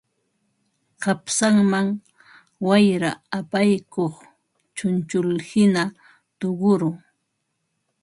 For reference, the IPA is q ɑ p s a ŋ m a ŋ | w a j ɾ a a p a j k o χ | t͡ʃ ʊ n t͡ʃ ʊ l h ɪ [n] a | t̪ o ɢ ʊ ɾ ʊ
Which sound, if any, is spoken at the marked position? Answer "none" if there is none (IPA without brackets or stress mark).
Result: n